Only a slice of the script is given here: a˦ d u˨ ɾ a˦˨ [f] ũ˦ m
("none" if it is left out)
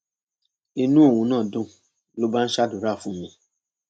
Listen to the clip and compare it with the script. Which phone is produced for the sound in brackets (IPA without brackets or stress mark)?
f